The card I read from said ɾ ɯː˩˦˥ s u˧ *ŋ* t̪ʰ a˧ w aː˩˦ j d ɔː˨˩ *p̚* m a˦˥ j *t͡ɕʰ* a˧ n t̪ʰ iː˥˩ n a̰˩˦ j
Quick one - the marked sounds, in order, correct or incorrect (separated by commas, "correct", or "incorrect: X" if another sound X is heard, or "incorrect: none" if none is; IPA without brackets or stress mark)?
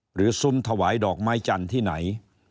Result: incorrect: m, incorrect: k̚, incorrect: t͡ɕ